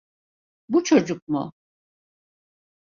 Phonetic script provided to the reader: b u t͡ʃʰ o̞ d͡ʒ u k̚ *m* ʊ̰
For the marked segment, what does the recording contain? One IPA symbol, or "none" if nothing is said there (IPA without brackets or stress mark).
m